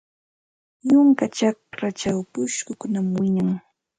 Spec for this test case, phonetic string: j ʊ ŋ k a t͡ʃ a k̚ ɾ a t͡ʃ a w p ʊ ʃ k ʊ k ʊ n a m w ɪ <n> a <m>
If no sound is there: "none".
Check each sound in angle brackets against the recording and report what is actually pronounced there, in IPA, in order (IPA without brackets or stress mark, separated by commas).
ɲ, ŋ